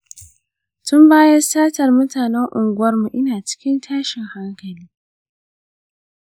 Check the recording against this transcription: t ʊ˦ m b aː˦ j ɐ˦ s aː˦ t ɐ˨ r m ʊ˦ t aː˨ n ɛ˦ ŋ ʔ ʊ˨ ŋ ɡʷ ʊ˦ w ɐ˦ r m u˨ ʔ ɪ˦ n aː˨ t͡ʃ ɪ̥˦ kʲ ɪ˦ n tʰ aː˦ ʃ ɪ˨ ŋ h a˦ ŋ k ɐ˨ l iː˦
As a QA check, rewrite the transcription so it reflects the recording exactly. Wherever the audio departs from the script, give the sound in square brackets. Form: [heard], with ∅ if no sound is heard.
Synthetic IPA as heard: t ʊ˦ m b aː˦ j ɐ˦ s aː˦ t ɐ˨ r m ʊ˦ t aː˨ n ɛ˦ ŋ ʔ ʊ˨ ŋ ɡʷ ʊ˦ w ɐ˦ r m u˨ ʔ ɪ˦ n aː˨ t͡ʃ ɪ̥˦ kʲ ɪ˦ n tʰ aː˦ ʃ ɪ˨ ŋ h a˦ ŋ k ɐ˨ l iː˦